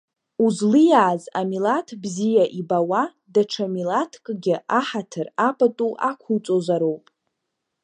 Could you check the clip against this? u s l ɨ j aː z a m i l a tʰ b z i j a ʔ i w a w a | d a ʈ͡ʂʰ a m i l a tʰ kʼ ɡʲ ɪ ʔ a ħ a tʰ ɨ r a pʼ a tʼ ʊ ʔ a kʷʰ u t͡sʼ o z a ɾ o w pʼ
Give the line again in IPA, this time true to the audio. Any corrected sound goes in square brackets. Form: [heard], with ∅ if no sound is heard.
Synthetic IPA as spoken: u [z] l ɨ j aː z a m i l a tʰ b z i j a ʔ i [b] a w a | d a ʈ͡ʂʰ a m i l a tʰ kʼ ɡʲ ɪ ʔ a ħ a tʰ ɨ r a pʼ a tʼ [u] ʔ a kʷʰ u t͡sʼ o z a ɾ o w pʼ

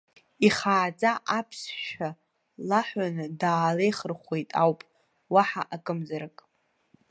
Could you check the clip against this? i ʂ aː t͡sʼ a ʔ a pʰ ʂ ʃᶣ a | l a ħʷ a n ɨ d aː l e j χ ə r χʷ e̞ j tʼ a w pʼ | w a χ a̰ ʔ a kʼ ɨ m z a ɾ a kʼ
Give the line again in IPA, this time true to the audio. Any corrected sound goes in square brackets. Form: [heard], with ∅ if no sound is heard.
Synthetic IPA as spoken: i [χ] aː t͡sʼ a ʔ a pʰ [s] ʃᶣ a | l a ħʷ a n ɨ d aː l e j χ ə r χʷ e̞ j tʼ a w pʼ | w a [ħ] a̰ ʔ a kʼ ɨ m z a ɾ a kʼ

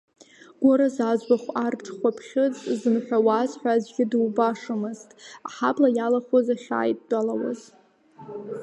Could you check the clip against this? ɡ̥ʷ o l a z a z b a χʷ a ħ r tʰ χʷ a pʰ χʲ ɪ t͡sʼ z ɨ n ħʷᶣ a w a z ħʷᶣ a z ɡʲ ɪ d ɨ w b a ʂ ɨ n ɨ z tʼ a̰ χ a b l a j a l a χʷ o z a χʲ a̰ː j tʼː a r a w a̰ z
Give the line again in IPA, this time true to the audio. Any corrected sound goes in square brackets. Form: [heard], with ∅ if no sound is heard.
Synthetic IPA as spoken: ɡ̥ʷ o [ɾ] a z a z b a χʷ a [∅] r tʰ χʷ a pʰ χʲ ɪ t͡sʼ z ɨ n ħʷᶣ a w a z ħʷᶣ a z ɡʲ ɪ d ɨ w b a ʂ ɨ [m] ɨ z tʼ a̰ [ħ] a b l a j a l a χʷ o z a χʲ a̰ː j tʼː a [l] a w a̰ z

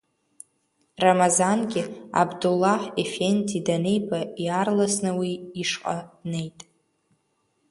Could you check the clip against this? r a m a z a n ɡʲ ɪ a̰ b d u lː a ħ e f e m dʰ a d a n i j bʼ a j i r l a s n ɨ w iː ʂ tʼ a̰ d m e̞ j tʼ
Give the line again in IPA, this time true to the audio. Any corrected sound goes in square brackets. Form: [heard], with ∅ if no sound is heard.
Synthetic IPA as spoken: r a m a z a n ɡʲ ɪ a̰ b d u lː a ħ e f e [n] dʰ [i] d a n [e] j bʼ a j [a] r l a s n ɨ w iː ʂ [qʼ] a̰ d [n] e̞ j tʼ

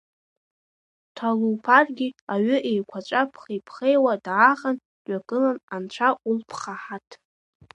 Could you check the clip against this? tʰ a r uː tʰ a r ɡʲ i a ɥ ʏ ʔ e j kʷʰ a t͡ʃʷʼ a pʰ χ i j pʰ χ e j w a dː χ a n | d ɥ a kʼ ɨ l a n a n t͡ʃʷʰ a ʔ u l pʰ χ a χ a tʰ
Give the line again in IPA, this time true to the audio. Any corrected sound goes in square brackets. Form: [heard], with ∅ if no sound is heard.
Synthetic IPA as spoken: tʰ a [l] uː [pʰ] a r ɡʲ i a ɥ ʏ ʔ e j kʷʰ a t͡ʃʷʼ a pʰ χ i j pʰ χ e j w a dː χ a n | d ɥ a kʼ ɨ l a n a n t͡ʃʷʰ a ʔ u l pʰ χ a [ħ] a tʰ

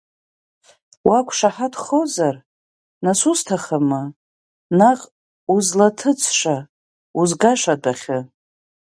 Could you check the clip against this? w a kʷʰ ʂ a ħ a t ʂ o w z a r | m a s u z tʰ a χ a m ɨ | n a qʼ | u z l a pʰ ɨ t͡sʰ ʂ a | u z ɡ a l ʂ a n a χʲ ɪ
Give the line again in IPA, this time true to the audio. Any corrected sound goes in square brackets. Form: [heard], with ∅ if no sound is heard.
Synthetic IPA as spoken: w a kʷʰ ʂ a ħ a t [χ] o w z a r | [n] a s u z tʰ a χ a m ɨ | n a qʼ | u z l a [tʰ] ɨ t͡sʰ ʂ a | u z ɡ a [∅] ʂ a [d] a χʲ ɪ

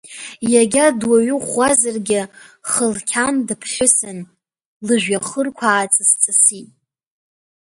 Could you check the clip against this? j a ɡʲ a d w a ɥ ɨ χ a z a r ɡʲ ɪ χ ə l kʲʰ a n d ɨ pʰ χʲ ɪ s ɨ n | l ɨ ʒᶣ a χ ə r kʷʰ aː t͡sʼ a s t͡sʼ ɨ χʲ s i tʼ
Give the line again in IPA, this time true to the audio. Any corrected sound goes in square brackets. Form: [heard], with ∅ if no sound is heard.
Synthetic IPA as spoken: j a ɡʲ a d w a ɥ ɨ χ a z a r ɡʲ ɪ χ ə l kʲʰ a n d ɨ pʰ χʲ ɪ s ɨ n | l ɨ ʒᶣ a χ ə r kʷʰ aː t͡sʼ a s t͡sʼ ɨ [∅] s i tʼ

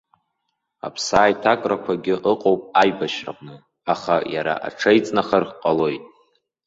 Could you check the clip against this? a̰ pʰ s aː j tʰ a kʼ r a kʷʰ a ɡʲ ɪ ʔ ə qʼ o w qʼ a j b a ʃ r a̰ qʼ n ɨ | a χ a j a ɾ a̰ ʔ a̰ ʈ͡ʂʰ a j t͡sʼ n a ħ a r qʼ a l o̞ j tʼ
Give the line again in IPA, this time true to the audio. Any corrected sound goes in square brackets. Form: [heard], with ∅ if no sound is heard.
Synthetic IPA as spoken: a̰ pʰ s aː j tʰ a kʼ r a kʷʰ a ɡʲ ɪ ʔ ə qʼ o w [pʼ] a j b a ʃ r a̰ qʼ n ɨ | a χ a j a ɾ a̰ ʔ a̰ ʈ͡ʂʰ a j t͡sʼ n a [χ] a r qʼ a l o̞ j tʼ

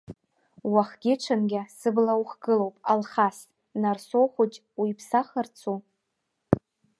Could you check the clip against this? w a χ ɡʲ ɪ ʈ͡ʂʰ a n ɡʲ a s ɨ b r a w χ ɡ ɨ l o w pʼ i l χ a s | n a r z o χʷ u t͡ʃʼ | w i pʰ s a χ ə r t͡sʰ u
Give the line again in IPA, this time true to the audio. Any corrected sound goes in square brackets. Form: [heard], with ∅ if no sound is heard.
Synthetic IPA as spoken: w a χ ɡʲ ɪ ʈ͡ʂʰ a n ɡʲ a s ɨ b [l] a w χ ɡ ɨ l o w pʼ [a] l χ a s | n a r [s] o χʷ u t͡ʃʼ | w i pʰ s a χ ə r t͡sʰ u

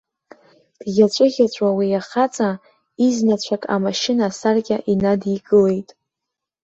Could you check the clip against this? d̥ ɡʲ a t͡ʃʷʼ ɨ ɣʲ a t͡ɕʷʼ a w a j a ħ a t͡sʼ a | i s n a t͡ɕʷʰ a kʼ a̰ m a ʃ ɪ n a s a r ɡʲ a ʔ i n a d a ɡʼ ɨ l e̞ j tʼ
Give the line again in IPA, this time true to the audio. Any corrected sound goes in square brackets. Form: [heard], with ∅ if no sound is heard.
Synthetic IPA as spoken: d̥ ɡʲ a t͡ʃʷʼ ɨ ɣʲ a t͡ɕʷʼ a w [i] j a [χ] a t͡sʼ a | i [z] n a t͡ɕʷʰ a kʼ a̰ m a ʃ ɪ n a s a r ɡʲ a ʔ i n a d [i] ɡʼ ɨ l e̞ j tʼ

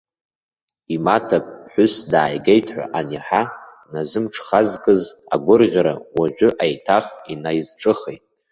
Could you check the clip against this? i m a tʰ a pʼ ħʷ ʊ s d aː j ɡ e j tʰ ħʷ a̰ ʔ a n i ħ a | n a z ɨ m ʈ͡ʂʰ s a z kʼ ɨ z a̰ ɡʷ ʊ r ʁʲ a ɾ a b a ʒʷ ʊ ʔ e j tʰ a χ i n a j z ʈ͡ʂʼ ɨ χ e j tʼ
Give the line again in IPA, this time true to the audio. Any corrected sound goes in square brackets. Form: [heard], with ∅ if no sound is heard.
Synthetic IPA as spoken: i m a tʰ a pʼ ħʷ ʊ s d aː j ɡ e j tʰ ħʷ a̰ ʔ a n i ħ a | n a z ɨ m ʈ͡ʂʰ [χ] a z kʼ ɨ z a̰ ɡʷ ʊ r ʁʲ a ɾ a [w] a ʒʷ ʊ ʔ [a] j tʰ a χ i n a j z ʈ͡ʂʼ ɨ χ e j tʼ

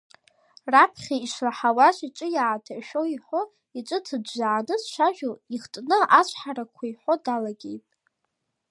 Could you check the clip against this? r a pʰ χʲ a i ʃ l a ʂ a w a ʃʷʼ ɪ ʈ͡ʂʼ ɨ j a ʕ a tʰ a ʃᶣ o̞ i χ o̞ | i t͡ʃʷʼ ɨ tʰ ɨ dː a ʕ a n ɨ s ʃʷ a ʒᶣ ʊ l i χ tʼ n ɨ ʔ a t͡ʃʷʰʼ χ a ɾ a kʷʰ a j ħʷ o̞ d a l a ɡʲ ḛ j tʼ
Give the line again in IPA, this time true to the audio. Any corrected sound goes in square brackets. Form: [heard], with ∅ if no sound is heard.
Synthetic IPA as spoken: r a pʰ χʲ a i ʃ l a [ħ] a w a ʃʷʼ [i] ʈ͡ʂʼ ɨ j a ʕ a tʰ a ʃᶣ o̞ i [ħ] o̞ | i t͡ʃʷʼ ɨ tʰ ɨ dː a ʕ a n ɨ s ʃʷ a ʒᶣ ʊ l i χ tʼ n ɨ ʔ a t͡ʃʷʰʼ [ħ] a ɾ a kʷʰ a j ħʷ o̞ d a l a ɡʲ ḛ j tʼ

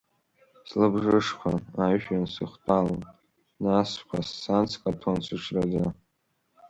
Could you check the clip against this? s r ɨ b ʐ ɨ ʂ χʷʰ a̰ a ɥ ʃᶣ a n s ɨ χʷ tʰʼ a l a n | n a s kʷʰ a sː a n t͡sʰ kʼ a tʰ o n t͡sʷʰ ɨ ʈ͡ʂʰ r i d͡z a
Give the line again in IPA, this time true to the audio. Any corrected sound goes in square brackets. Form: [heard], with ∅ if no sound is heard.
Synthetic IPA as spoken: s [l] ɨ b ʐ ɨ ʂ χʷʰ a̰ a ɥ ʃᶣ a n s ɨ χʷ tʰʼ a l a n | n a s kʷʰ a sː a n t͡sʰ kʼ a tʰ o n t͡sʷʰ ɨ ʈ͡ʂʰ r [a] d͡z a

